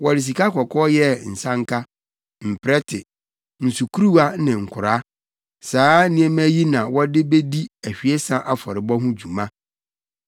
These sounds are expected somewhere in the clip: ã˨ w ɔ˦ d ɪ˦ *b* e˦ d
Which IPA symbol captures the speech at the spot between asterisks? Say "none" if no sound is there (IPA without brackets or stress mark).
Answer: b